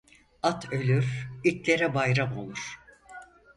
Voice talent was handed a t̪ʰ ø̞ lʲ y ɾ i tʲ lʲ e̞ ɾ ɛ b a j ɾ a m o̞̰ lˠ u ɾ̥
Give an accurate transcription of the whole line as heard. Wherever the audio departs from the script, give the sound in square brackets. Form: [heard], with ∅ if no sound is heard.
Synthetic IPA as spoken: a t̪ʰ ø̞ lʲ y ɾ i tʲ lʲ e̞ ɾ ɛ b a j ɾ a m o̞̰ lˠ u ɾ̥